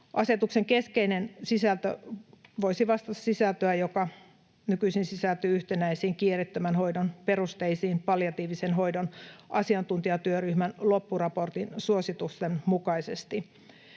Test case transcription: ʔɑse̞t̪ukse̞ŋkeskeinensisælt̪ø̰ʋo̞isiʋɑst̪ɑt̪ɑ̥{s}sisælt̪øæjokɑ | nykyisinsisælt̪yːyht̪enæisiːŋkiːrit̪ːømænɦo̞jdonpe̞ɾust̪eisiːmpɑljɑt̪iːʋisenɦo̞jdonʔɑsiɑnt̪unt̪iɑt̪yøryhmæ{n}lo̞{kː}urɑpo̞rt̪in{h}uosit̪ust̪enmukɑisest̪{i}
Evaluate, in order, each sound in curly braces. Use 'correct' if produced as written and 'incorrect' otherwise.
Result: correct, correct, incorrect, incorrect, correct

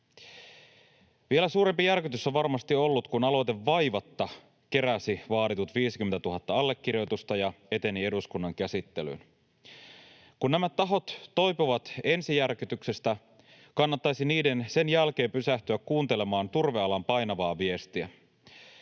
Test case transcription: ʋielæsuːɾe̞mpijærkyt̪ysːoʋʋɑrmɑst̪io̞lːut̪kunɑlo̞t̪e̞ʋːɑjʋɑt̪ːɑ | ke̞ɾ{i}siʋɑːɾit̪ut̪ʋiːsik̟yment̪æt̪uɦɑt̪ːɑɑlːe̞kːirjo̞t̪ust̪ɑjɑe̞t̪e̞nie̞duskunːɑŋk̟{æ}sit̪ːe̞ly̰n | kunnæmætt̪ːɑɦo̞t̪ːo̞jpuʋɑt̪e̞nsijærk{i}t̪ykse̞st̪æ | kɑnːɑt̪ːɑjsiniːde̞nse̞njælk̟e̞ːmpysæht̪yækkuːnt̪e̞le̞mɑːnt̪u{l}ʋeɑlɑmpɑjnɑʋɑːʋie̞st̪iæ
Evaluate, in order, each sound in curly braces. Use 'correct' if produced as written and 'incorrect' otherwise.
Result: incorrect, correct, incorrect, incorrect

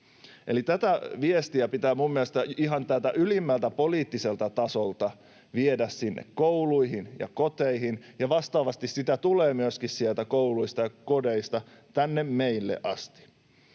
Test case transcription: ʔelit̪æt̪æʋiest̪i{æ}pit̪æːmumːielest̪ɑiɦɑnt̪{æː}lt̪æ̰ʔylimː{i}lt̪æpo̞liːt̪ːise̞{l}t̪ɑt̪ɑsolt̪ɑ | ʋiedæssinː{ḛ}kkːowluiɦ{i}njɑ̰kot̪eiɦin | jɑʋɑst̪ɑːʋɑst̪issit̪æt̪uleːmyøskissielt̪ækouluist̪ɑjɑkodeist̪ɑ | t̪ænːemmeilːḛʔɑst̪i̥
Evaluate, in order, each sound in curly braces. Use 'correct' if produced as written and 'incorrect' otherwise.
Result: correct, incorrect, incorrect, correct, correct, correct

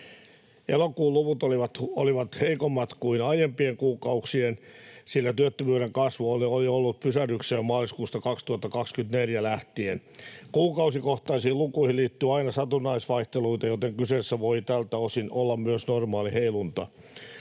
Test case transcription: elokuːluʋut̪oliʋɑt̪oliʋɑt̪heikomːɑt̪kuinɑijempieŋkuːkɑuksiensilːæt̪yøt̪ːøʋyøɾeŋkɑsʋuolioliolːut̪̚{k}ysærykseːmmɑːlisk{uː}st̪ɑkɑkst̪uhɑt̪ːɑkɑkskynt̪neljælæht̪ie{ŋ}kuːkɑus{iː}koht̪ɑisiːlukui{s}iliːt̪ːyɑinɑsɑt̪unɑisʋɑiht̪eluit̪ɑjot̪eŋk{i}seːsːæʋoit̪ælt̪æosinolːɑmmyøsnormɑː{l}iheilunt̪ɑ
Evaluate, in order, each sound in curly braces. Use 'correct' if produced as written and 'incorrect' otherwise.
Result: incorrect, correct, incorrect, incorrect, incorrect, incorrect, correct

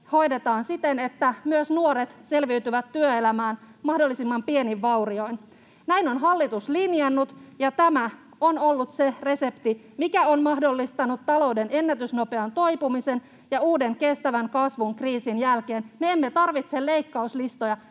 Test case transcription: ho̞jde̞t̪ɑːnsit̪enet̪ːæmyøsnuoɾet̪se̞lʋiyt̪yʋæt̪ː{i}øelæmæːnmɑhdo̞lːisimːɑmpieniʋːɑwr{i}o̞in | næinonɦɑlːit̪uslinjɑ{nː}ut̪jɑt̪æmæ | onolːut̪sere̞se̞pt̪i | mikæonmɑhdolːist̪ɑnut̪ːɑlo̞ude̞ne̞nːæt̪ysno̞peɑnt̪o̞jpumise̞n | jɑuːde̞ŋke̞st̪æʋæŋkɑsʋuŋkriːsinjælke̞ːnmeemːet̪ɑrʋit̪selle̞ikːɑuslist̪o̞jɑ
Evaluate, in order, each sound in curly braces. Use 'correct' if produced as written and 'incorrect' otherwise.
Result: incorrect, correct, correct

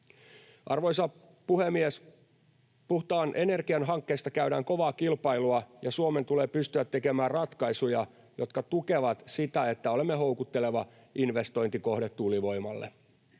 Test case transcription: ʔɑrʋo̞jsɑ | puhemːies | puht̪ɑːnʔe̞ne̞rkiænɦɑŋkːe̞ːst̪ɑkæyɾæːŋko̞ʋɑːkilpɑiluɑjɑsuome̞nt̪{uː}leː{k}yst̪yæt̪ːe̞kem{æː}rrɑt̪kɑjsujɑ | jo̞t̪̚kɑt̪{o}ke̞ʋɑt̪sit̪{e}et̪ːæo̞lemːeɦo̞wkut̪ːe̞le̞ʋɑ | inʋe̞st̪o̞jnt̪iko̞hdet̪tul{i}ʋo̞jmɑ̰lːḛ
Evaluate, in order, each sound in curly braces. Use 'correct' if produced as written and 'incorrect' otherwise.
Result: incorrect, incorrect, correct, incorrect, incorrect, correct

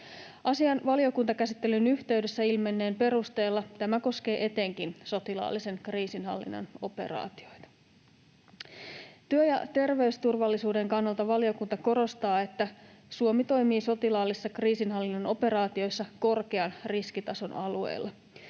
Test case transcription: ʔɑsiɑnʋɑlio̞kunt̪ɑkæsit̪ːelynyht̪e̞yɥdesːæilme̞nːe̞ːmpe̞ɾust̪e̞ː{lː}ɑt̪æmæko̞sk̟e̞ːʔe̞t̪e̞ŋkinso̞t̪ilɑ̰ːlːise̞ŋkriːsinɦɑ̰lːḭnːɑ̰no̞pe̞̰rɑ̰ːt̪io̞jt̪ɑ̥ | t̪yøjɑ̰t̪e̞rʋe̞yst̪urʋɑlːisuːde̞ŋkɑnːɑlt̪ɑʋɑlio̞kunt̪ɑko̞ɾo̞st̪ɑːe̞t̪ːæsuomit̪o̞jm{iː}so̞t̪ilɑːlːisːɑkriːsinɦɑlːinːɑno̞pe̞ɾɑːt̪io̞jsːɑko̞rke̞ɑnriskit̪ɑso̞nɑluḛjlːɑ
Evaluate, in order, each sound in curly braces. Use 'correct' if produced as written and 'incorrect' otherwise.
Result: correct, correct

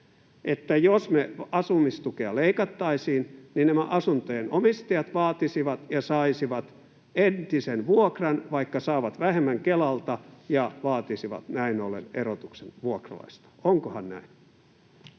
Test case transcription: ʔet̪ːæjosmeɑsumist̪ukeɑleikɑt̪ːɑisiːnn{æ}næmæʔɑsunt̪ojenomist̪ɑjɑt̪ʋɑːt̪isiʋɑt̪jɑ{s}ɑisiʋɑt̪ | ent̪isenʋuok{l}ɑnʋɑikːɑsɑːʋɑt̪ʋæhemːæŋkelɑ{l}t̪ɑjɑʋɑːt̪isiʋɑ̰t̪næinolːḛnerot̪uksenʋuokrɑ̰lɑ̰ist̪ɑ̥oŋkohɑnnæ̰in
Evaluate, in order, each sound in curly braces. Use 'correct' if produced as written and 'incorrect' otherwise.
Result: incorrect, correct, incorrect, correct

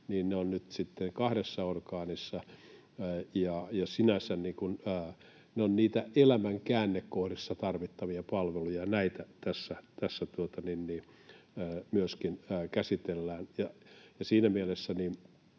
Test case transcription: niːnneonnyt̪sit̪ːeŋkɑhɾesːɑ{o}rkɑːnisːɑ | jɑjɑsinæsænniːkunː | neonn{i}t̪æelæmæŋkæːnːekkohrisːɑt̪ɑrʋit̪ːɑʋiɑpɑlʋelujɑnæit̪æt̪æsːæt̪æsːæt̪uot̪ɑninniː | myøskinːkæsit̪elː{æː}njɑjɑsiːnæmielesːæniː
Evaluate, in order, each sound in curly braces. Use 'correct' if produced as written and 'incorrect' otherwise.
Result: correct, incorrect, correct

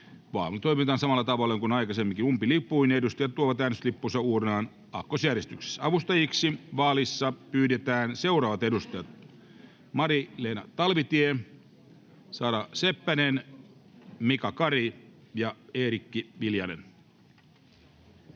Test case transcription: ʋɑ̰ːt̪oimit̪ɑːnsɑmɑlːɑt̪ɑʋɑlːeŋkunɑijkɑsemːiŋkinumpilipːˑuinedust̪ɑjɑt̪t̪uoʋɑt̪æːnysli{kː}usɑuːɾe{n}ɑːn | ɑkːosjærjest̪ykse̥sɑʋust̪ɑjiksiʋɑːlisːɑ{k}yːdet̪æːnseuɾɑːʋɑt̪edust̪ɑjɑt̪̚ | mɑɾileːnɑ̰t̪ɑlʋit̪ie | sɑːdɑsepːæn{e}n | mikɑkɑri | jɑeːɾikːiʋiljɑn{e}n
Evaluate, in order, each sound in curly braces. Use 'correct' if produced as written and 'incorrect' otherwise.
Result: incorrect, correct, incorrect, correct, correct

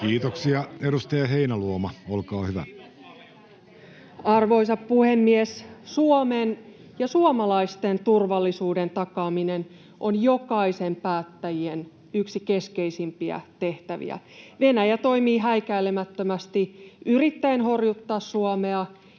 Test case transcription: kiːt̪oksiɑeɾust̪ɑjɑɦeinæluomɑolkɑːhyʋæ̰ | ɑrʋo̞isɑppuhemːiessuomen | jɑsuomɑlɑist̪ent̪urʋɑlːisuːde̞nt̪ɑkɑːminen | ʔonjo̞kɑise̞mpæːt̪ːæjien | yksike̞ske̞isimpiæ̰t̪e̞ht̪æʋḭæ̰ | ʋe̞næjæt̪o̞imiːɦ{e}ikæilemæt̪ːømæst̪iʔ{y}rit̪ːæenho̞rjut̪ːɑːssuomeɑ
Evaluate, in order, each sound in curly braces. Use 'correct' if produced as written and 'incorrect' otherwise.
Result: incorrect, correct

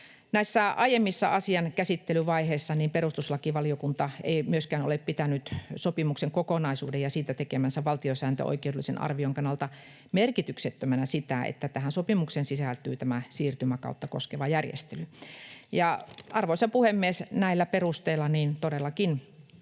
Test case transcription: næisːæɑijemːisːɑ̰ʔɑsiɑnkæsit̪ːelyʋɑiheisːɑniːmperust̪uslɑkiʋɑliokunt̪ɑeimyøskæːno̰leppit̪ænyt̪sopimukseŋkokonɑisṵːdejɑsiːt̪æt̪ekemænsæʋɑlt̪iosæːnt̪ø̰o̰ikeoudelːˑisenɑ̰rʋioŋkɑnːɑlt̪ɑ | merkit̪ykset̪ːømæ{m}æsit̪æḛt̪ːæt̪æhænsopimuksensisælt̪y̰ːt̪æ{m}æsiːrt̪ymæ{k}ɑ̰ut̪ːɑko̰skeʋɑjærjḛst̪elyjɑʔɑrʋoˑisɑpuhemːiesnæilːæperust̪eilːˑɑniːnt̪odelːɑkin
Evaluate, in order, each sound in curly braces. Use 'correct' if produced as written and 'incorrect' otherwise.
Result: incorrect, correct, correct

